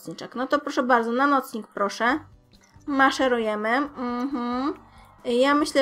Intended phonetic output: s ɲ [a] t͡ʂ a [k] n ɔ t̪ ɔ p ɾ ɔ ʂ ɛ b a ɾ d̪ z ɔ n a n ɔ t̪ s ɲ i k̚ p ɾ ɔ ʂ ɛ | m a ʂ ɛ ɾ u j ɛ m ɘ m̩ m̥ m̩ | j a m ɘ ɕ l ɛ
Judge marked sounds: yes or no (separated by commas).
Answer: no, yes